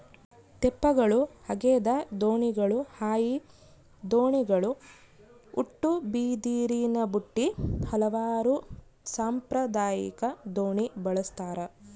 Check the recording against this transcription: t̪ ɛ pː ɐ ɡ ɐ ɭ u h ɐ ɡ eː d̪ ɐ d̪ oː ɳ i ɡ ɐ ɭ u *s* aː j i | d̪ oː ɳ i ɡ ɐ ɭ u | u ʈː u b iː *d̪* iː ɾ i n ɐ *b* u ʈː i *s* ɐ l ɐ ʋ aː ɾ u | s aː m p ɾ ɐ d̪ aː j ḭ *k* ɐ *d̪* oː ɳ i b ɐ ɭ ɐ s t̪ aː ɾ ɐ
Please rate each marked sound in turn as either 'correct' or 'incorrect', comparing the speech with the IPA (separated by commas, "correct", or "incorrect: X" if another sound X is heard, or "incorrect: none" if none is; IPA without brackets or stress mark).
incorrect: h, correct, correct, incorrect: h, correct, correct